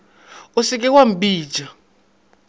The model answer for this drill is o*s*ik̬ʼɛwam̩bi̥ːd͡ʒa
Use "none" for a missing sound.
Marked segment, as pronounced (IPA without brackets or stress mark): s